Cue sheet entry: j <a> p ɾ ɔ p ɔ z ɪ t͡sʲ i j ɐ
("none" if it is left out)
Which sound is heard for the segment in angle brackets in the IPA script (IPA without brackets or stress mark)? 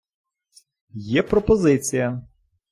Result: ɛ